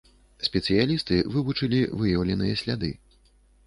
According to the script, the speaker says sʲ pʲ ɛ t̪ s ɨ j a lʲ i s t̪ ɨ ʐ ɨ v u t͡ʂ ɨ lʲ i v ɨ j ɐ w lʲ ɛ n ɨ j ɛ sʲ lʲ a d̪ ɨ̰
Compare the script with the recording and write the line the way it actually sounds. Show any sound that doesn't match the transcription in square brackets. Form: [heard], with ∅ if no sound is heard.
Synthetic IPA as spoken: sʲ pʲ ɛ t̪ s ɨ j a lʲ i s t̪ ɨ [v] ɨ v u t͡ʂ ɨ lʲ i v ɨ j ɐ w lʲ ɛ n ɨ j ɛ sʲ lʲ a d̪ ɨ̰